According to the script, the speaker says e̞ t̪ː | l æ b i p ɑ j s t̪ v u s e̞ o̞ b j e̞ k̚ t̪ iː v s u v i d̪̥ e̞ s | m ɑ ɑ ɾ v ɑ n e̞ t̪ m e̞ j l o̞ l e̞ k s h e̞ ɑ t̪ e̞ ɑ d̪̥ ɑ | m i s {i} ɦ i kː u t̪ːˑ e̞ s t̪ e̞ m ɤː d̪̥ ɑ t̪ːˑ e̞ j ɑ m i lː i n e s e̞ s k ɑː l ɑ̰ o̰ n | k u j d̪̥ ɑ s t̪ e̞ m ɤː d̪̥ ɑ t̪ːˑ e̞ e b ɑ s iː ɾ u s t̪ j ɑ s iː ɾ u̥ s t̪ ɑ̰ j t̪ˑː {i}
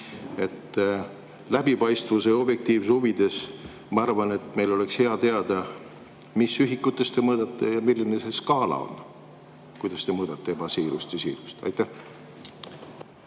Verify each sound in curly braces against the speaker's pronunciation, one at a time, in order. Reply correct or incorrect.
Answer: incorrect: y, incorrect: æ

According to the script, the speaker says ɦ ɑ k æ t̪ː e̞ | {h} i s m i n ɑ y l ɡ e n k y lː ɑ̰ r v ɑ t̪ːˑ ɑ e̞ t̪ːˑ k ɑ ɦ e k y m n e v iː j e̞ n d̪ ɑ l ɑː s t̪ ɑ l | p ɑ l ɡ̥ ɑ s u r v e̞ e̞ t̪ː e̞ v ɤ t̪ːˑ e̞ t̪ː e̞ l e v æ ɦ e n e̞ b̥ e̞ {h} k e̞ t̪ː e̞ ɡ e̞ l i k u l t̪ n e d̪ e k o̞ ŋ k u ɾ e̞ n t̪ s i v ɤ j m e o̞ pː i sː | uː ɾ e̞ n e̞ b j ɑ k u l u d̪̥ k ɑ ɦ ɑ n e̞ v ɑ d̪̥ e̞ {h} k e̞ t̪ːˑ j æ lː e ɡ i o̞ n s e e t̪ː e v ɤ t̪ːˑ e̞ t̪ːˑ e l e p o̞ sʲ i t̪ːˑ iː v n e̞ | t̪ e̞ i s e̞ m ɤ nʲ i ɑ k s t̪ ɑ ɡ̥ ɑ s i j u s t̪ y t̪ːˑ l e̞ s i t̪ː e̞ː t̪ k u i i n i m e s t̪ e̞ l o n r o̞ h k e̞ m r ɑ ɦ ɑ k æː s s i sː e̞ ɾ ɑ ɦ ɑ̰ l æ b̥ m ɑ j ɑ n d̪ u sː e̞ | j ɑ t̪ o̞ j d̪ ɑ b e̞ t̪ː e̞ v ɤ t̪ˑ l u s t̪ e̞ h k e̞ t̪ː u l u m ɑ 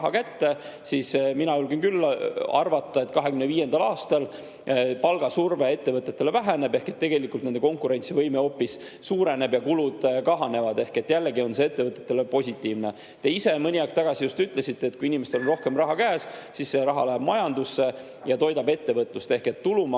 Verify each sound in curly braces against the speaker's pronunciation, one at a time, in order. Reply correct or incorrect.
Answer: incorrect: s, correct, correct

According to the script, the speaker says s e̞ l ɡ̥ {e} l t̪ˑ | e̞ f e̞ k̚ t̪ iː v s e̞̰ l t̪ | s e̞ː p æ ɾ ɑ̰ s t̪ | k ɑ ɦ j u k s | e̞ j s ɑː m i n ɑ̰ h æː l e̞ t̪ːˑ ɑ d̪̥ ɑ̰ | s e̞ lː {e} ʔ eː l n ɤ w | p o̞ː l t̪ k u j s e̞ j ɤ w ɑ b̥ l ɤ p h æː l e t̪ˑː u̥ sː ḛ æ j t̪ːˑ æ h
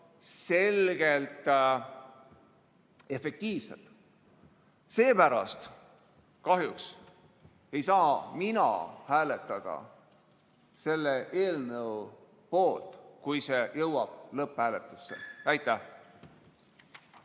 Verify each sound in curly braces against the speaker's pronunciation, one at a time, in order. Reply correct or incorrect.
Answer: correct, correct

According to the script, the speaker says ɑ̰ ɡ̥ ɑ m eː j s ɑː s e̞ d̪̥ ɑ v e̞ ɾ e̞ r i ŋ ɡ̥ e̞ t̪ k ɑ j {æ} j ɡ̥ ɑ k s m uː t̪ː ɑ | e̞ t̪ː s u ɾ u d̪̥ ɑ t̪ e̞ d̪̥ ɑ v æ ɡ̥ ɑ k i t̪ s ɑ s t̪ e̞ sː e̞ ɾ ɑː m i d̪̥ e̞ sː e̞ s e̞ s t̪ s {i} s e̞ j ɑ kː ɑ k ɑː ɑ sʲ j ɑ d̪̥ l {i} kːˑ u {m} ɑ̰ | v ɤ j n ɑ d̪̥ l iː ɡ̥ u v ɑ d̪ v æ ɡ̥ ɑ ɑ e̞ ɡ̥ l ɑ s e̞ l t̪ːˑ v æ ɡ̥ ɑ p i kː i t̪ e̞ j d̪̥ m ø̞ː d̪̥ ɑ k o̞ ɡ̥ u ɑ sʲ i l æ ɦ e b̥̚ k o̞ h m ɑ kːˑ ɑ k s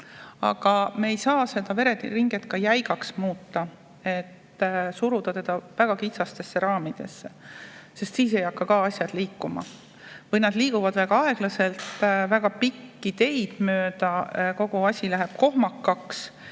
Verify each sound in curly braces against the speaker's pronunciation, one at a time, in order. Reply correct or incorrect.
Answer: correct, incorrect: iː, incorrect: iː, correct

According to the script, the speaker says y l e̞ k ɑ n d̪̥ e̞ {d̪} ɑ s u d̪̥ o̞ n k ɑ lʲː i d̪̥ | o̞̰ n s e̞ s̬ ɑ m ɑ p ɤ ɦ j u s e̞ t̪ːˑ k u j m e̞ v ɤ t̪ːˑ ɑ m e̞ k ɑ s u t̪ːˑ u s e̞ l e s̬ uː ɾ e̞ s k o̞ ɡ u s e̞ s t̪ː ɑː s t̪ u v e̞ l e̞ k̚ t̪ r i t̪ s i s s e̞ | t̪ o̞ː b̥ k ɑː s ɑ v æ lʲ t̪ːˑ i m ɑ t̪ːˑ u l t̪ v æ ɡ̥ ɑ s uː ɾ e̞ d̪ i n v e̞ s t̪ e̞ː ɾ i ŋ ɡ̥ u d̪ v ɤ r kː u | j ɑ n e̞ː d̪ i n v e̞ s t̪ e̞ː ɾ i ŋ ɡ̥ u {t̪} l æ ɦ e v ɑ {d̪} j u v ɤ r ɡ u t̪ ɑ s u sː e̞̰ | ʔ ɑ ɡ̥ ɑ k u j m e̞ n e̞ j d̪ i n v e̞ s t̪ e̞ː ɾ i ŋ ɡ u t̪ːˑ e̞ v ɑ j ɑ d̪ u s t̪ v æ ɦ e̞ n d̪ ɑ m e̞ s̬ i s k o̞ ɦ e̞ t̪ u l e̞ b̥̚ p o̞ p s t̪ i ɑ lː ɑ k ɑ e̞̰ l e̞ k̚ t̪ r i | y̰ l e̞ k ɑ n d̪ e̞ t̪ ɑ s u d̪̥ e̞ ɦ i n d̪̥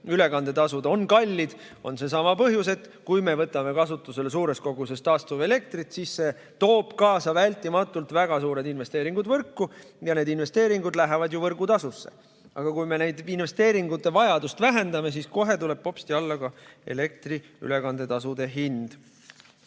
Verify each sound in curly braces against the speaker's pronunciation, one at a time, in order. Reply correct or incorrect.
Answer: incorrect: t̪, incorrect: d̪, correct

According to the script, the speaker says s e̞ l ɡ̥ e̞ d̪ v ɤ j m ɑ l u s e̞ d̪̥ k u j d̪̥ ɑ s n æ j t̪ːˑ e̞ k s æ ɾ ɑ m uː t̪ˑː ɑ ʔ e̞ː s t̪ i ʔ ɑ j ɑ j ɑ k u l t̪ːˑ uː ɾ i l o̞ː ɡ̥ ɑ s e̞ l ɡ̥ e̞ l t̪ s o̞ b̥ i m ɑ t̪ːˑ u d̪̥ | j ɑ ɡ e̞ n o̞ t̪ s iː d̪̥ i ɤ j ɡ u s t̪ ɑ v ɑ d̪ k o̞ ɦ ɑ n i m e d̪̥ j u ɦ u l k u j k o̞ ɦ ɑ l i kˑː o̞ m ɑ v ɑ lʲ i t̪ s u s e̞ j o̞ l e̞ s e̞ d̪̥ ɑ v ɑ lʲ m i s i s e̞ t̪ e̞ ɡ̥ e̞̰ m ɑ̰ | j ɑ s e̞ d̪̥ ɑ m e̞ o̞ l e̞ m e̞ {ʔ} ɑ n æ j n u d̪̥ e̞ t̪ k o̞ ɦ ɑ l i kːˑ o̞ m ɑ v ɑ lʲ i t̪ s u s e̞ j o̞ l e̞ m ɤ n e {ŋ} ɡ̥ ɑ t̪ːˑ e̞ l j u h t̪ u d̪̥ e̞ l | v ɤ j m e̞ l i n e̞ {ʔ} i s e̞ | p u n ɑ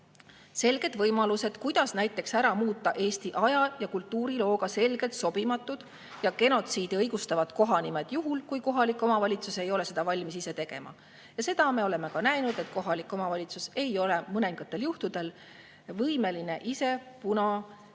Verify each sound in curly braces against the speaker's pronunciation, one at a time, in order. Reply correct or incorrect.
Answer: incorrect: k, correct, correct

